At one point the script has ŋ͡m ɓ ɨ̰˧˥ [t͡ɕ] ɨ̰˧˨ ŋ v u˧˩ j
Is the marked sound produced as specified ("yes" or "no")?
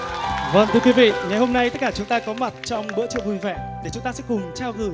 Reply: yes